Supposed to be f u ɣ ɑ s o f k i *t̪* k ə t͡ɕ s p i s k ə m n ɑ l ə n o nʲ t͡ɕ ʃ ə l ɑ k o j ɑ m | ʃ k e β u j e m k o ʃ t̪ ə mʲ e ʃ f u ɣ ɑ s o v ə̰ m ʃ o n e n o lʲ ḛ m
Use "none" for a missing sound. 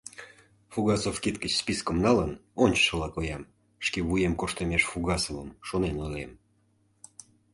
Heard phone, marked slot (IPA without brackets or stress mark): t̪